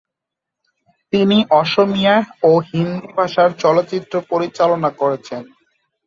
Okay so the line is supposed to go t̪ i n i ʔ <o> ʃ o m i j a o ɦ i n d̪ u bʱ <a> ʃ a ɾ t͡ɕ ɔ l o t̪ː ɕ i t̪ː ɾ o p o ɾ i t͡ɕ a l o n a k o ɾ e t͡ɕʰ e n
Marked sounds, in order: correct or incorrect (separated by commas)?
incorrect, correct